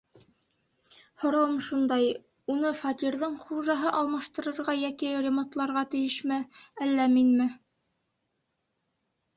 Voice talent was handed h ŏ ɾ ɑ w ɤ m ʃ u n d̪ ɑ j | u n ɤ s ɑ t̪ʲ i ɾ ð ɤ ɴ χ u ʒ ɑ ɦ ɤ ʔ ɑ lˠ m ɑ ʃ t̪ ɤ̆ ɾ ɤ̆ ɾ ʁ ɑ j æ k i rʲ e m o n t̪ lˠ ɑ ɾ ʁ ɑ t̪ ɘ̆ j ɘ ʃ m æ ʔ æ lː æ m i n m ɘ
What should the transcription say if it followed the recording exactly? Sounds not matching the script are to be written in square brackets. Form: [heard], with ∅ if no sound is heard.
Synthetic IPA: h ŏ ɾ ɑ w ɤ m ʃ u n d̪ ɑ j | u n ɤ [f] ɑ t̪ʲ i ɾ ð ɤ ɴ χ u ʒ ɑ ɦ ɤ ʔ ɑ lˠ m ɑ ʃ t̪ ɤ̆ ɾ ɤ̆ ɾ ʁ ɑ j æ k i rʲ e m o n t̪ lˠ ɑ ɾ ʁ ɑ t̪ ɘ̆ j ɘ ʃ m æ [∅] æ lː æ m i n m ɘ